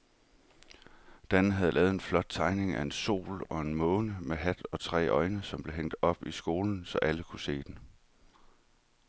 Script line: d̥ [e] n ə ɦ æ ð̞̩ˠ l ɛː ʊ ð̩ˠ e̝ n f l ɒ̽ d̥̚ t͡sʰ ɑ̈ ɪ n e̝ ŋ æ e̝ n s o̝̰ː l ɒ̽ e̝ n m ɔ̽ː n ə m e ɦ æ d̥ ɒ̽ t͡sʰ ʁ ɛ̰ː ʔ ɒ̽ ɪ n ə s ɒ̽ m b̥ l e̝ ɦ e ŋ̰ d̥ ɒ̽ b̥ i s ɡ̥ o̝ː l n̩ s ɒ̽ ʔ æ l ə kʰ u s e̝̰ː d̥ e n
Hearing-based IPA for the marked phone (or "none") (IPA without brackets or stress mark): æ